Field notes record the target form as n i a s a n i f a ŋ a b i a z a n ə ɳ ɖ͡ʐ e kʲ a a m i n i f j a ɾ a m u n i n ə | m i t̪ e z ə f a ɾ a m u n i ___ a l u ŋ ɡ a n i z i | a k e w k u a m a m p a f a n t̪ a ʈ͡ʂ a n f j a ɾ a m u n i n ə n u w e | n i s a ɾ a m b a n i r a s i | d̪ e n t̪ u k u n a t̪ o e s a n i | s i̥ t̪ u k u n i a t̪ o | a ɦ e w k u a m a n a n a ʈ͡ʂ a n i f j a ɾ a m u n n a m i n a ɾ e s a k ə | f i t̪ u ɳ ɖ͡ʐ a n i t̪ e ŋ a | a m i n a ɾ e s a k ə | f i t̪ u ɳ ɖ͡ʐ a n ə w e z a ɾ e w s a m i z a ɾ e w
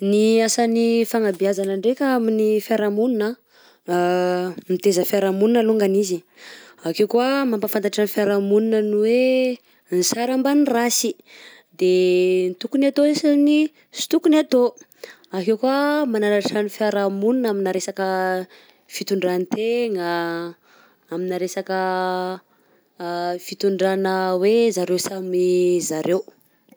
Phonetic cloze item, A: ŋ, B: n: B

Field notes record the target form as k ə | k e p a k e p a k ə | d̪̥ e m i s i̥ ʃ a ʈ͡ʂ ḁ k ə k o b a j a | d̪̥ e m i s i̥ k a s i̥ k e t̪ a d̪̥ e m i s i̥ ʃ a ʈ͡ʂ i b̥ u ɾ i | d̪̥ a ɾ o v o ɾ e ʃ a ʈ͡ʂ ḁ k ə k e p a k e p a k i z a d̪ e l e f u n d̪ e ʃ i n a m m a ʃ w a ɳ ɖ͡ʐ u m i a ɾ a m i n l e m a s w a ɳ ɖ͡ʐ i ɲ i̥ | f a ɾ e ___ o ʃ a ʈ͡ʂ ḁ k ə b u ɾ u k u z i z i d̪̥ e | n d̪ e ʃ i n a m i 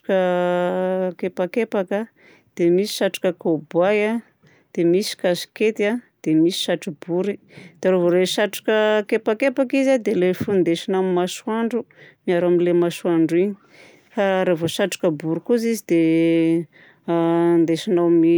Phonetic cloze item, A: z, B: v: B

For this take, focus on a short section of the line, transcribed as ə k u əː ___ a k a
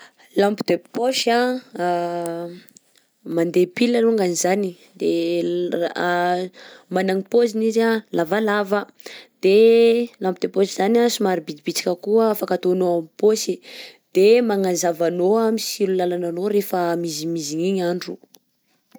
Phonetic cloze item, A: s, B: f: B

